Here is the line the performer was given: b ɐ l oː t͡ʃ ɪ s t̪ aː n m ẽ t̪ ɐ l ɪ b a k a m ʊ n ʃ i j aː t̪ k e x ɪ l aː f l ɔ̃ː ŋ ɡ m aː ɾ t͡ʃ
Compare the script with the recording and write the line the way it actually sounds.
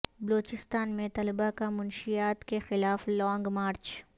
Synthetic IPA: b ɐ l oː t͡ʃ ɪ s t̪ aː n m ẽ t̪ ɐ l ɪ b a k a m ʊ n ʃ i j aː t̪ k e x ɪ l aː f l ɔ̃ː ŋ ɡ m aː ɾ t͡ʃ